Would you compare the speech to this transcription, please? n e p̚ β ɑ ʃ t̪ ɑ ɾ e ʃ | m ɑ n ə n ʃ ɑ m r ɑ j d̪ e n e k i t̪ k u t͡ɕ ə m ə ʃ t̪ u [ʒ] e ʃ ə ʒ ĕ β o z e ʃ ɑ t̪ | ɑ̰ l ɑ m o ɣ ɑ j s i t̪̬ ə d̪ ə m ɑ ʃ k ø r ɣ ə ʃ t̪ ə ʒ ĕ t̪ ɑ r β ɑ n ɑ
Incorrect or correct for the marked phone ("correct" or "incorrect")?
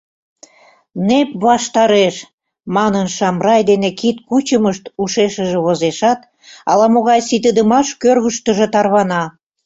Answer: incorrect